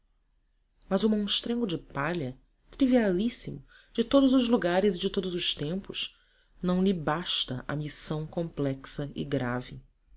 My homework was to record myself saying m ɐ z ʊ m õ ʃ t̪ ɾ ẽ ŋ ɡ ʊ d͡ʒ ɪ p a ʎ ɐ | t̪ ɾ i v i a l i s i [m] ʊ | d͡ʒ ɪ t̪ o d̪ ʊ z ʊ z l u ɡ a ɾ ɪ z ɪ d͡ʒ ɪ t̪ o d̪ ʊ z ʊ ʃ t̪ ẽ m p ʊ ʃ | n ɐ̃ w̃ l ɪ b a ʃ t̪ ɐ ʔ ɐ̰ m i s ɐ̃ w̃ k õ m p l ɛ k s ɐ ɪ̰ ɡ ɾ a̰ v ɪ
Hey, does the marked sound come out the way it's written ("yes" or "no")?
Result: yes